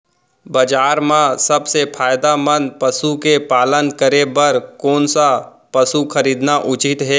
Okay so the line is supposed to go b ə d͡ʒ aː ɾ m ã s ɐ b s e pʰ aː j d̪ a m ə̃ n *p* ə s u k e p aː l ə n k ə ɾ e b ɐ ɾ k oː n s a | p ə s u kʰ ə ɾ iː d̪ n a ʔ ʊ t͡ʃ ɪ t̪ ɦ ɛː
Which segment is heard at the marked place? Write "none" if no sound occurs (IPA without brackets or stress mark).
p